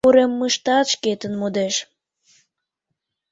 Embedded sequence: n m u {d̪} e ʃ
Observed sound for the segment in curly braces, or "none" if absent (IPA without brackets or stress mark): d̪